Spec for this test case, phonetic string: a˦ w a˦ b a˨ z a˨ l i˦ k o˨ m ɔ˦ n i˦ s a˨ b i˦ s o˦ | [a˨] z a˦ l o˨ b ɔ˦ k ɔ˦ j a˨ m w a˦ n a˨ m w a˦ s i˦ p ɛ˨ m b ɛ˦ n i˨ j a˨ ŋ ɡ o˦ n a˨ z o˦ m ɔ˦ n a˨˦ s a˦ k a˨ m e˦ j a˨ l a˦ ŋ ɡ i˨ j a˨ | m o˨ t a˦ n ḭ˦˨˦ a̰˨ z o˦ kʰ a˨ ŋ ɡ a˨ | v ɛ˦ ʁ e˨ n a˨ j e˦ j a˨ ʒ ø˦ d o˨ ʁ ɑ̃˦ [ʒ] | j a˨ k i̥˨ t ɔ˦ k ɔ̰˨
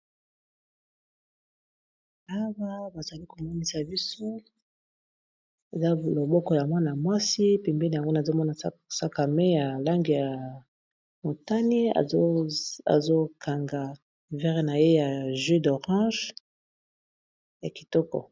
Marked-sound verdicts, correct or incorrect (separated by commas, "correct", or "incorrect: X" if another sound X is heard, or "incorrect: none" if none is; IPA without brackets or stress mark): incorrect: e˨, correct